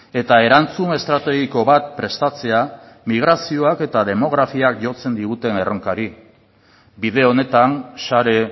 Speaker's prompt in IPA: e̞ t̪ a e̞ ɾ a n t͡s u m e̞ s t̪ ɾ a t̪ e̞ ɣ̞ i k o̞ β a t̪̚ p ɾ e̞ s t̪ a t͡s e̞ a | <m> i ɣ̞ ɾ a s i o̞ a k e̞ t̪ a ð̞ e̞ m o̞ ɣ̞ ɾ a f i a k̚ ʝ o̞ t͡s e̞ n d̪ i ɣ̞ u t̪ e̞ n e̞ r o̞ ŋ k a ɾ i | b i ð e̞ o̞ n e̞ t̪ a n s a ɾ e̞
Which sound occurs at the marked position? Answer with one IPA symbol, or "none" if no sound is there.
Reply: m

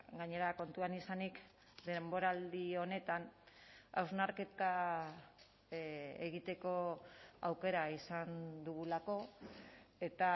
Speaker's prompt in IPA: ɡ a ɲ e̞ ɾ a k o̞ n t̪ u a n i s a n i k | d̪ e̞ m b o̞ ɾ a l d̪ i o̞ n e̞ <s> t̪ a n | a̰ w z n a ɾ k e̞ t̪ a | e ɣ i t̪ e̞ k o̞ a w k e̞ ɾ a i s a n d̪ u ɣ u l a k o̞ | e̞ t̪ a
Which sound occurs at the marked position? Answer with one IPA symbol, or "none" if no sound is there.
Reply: none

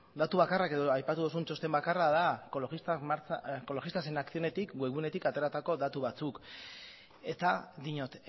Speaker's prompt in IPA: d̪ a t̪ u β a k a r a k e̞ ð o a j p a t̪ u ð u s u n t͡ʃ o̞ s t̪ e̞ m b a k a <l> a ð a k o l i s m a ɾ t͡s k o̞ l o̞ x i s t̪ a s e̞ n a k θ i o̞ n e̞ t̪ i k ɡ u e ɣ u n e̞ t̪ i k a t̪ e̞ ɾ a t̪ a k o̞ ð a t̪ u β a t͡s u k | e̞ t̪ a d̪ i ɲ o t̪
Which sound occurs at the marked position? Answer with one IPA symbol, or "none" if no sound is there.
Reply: r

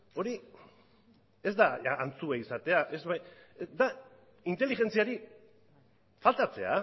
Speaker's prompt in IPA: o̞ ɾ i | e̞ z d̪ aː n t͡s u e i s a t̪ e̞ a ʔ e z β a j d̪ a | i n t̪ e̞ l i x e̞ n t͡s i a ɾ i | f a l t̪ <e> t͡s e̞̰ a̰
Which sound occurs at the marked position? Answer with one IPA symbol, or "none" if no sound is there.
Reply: a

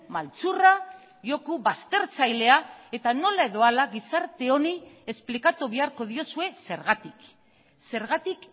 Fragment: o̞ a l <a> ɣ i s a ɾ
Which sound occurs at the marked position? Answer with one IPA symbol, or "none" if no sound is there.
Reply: a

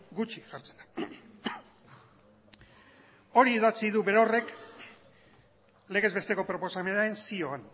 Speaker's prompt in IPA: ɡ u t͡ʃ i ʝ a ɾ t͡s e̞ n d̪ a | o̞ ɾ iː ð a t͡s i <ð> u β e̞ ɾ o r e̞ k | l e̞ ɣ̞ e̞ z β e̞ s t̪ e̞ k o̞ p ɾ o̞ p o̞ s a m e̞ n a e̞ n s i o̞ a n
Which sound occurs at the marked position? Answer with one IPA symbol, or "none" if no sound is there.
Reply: ð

